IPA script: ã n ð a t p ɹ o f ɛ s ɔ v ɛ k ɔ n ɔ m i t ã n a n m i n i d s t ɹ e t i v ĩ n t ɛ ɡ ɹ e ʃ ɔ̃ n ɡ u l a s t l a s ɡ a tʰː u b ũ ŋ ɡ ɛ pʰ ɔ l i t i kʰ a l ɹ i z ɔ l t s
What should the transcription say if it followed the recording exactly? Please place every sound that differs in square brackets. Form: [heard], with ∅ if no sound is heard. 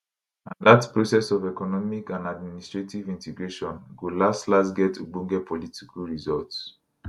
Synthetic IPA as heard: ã n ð a t p ɹ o [s] ɛ s ɔ v ɛ k ɔ n ɔ m i [k] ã n a [d] m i n i [∅] s t ɹ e t i v ĩ n t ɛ ɡ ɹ e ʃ ɔ̃ n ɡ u l a s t l a s ɡ [ɛ] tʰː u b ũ ŋ ɡ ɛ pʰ ɔ l i t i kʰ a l ɹ i z ɔ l t s